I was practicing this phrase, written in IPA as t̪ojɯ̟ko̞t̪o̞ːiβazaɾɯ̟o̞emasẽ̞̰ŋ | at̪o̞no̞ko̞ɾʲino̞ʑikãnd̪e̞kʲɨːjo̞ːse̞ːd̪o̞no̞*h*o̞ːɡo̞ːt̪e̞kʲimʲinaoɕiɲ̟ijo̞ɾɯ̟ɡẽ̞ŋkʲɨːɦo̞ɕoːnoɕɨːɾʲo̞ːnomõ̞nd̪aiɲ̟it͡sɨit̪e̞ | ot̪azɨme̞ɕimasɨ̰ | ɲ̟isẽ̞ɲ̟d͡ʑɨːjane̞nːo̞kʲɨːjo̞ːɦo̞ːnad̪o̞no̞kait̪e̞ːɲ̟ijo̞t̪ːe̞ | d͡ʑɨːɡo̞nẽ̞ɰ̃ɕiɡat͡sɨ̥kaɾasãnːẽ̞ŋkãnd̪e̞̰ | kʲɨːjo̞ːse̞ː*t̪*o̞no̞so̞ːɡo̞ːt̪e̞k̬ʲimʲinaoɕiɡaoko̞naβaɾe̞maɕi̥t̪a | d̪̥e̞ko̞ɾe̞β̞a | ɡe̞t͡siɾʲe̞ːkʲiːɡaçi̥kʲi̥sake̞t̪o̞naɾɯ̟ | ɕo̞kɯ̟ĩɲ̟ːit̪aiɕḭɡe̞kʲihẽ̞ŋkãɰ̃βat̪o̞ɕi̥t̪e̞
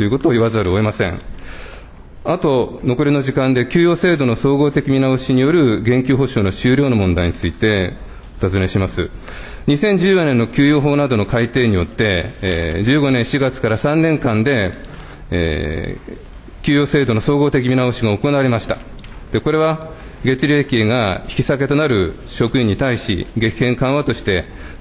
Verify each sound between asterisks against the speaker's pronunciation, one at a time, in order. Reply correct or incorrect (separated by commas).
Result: incorrect, incorrect